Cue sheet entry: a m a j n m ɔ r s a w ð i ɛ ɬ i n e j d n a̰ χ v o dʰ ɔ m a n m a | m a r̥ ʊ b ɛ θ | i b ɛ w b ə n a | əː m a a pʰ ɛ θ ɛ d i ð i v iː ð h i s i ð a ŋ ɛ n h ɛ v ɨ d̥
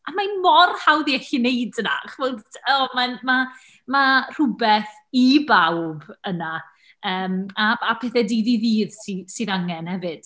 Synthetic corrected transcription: a m a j n m ɔ r h a w ð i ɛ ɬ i n e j d n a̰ χ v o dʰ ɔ m a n m a | m a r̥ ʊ b ɛ θ | i b a w b ə n a | əː m a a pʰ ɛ θ ɛ d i ð i ð iː ð s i s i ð a ŋ ɛ n h ɛ v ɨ d̥